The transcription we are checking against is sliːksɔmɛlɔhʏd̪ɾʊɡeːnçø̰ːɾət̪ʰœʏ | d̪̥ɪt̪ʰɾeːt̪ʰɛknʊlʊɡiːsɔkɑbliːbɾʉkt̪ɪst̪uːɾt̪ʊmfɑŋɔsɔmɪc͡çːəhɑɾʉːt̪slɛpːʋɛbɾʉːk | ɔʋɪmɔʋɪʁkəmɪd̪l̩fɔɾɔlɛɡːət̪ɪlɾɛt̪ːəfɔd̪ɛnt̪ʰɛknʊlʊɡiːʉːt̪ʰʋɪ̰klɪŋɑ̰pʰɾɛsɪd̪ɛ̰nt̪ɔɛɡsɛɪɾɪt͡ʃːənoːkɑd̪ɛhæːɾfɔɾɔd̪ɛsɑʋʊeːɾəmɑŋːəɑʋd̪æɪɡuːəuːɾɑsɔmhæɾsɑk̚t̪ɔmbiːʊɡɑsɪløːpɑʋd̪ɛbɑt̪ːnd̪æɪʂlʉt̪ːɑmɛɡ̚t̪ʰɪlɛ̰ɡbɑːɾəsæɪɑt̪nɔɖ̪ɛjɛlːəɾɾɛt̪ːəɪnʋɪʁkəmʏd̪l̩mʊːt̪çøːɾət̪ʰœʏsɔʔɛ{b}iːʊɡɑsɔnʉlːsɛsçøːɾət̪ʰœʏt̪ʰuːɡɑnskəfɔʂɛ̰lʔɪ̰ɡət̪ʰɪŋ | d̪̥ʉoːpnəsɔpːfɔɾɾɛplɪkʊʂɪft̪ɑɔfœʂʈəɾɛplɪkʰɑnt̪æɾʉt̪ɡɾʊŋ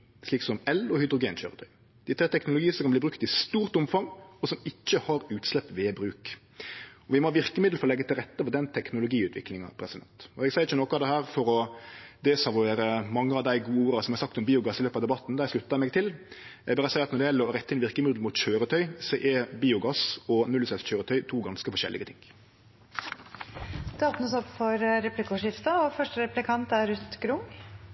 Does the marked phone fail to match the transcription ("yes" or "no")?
no